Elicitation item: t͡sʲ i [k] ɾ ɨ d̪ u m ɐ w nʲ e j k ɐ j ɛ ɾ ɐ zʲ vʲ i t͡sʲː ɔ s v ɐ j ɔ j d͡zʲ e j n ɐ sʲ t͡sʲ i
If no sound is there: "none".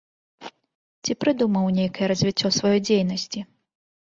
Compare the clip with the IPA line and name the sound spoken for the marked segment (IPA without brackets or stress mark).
p